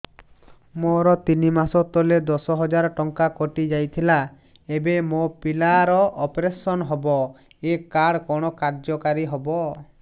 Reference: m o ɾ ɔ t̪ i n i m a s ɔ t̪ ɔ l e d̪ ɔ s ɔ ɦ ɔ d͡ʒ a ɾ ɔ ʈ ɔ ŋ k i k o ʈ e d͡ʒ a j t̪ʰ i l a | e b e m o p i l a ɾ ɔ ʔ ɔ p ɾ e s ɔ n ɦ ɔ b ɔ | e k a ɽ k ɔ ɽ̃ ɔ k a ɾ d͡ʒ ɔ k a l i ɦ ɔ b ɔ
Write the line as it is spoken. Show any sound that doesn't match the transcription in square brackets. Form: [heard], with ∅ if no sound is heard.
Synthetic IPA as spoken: m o ɾ ɔ t̪ i n i m a s ɔ t̪ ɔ l e d̪ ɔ s ɔ ɦ ɔ d͡ʒ a ɾ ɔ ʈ ɔ ŋ k [a] k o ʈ [i] d͡ʒ a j t̪ʰ i l a | e b e m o p i l a ɾ ɔ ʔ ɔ p ɾ e s ɔ n ɦ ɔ b ɔ | e k a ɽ k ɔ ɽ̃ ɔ k a ɾ d͡ʒ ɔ k a [ɾ] i ɦ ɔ b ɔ